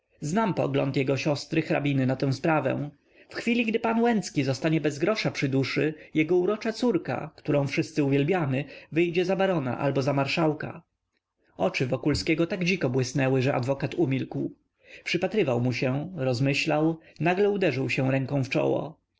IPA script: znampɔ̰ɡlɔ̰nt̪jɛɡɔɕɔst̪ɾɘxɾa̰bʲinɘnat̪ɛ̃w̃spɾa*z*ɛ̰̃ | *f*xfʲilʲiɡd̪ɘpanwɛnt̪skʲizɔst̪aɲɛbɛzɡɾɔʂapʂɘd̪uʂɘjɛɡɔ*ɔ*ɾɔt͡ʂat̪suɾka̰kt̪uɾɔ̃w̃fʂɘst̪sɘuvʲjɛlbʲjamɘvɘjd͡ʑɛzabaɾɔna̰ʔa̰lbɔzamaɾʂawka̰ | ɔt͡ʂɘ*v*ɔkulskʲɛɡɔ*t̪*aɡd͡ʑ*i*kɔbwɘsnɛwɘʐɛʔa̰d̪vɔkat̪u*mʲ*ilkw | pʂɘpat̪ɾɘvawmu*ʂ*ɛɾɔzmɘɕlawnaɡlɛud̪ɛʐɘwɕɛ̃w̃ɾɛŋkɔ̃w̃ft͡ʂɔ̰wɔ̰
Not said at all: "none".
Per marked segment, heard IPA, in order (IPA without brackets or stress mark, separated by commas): v, f, u, v, t̪, i, mʲ, ɕ